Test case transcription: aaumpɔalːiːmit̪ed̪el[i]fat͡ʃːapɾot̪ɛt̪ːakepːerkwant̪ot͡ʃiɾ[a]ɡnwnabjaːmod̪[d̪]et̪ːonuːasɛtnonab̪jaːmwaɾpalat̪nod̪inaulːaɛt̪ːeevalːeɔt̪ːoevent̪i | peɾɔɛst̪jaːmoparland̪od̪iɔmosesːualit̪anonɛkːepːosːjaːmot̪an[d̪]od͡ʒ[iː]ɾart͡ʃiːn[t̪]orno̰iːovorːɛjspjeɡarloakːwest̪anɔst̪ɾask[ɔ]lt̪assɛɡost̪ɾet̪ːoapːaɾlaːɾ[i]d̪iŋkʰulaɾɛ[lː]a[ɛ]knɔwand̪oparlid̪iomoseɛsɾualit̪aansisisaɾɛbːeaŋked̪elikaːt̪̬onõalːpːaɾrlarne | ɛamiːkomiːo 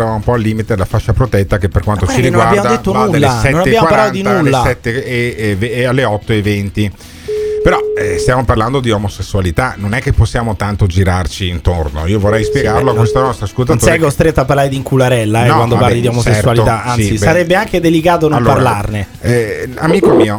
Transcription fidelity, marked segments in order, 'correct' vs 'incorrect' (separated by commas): incorrect, incorrect, correct, incorrect, incorrect, correct, incorrect, incorrect, correct, correct